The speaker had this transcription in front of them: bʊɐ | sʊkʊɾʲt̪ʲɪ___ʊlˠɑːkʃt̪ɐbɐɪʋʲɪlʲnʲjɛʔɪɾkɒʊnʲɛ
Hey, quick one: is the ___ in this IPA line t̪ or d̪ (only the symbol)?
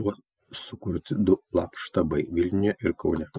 d̪